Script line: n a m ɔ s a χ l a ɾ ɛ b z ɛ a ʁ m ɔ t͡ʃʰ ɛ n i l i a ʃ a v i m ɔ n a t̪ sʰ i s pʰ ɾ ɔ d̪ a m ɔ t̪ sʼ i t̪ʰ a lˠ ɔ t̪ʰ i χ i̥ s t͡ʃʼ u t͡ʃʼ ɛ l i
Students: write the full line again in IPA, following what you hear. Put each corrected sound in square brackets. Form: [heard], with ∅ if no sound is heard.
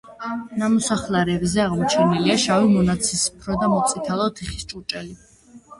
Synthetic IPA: n a m ɔ s a χ l a ɾ ɛ b z ɛ a ʁ m ɔ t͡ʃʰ ɛ n i l i a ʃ a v i m ɔ n a t̪ sʰ i s pʰ ɾ ɔ d̪ a m ɔ t̪ sʼ i t̪ʰ a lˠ ɔ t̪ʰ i χ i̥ s t͡ʃʼ u t͡ʃʼ ɛ l i